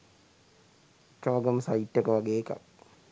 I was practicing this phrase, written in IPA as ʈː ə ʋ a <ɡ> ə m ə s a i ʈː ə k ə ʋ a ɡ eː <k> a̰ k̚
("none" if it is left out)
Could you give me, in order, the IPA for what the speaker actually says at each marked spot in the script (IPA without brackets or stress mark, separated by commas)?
ɡ, k